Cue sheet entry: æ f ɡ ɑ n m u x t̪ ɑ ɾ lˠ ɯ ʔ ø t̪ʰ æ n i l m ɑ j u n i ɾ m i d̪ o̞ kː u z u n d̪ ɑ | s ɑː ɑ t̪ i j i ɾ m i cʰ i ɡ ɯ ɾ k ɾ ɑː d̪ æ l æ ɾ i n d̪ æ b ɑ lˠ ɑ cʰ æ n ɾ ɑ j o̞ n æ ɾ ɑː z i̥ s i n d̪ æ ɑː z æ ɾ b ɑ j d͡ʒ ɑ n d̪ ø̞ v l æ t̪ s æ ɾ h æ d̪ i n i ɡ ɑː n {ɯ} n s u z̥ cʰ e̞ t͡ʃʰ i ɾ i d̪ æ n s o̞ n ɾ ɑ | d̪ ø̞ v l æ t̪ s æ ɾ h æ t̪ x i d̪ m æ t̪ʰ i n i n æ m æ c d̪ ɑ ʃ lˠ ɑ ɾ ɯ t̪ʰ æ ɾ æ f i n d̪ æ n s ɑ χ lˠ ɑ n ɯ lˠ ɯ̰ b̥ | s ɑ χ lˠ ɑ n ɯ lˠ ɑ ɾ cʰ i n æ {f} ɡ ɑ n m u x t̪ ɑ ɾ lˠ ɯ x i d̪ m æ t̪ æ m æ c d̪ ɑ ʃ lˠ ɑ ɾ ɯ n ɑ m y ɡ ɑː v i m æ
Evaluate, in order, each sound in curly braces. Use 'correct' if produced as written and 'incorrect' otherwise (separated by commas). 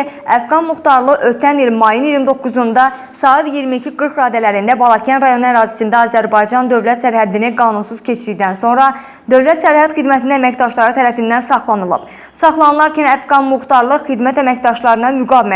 incorrect, correct